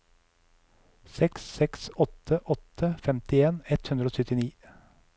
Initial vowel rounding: unrounded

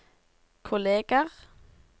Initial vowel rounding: rounded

